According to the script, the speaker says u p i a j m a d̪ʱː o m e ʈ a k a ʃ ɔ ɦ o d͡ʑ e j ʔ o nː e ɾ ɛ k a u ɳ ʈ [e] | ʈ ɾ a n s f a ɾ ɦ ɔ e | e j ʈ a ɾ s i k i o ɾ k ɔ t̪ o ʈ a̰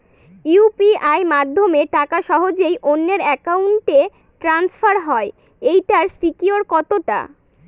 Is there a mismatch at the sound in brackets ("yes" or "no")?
no